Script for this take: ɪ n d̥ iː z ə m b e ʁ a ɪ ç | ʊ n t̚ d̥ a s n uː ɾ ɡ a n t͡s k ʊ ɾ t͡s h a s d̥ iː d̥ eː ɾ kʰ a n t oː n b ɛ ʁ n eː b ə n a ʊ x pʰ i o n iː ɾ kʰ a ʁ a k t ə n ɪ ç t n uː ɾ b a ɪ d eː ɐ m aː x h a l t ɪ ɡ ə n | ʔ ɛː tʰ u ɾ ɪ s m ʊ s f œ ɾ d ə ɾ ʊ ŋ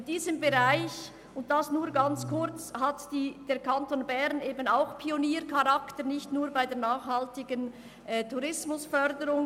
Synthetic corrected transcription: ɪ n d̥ iː z ə m b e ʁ a ɪ ç | ʊ n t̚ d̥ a s n uː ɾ ɡ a n t͡s k ʊ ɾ t͡s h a t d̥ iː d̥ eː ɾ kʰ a n t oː n b ɛ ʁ n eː b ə n a ʊ x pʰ i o n iː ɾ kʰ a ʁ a k t ə n ɪ ç t n uː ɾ b a ɪ d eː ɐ n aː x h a l t ɪ ɡ ə n | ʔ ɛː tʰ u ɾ ɪ s m ʊ s f œ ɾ d ə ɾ ʊ ŋ

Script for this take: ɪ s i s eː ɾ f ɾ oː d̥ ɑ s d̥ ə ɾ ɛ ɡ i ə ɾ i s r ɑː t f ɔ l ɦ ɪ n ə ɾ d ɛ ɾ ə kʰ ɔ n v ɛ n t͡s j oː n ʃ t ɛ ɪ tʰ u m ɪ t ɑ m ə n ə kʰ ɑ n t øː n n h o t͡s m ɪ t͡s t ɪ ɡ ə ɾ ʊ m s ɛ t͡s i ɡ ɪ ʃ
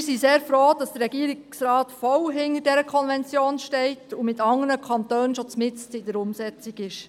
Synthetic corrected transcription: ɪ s i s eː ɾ f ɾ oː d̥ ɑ s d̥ ə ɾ ɛ ɡ i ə ɾ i s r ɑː t f ɔ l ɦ ɪ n ə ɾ d ɛ ɾ ə kʰ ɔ n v ɛ n t͡s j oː n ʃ t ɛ ɪ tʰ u m ɪ t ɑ ŋ ə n ə kʰ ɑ n t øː n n ʃ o t͡s m ɪ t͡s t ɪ d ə ɾ ʊ m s ɛ t͡s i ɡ ɪ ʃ

